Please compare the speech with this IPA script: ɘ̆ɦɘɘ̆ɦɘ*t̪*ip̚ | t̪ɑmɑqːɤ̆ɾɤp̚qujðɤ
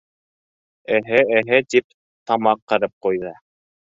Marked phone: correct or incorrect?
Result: correct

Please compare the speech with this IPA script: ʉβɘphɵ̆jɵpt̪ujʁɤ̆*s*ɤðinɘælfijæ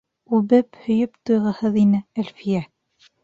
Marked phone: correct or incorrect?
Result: incorrect: h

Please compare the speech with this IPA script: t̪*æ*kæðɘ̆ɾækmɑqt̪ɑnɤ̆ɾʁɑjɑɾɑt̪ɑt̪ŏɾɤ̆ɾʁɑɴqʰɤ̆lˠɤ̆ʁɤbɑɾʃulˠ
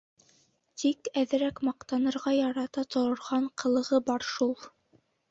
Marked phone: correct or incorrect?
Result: incorrect: i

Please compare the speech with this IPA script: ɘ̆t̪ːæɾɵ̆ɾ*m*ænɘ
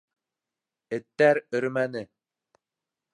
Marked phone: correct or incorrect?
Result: correct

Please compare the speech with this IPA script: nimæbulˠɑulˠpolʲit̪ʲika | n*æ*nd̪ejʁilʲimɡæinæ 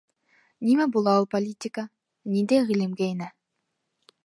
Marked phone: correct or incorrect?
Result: incorrect: i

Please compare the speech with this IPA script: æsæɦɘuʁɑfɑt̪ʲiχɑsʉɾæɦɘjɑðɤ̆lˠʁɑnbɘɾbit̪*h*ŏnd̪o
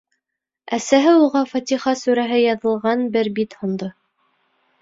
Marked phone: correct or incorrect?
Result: correct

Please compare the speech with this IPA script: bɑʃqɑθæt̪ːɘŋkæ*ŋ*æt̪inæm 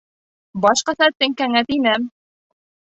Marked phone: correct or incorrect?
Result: correct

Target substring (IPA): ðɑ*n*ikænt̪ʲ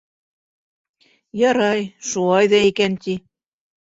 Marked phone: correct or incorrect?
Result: incorrect: none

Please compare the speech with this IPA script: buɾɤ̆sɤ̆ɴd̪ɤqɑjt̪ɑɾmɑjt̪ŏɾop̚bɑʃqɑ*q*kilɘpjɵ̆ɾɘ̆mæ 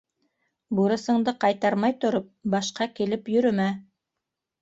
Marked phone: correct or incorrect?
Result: incorrect: none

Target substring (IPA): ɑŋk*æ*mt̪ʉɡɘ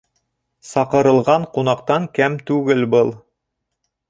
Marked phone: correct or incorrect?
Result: correct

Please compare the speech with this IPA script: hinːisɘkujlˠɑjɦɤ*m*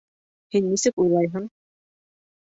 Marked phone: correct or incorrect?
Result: incorrect: ɴ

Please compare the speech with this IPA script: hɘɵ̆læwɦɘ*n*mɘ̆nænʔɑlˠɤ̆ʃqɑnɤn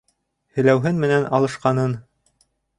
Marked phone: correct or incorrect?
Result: correct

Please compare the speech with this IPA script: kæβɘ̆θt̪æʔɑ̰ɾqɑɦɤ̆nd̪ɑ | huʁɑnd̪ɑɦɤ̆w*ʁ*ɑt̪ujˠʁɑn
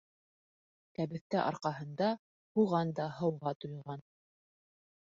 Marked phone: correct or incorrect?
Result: correct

